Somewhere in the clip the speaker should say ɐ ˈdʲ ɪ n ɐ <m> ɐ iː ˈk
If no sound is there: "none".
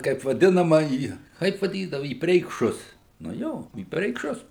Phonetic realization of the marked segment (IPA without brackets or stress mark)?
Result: m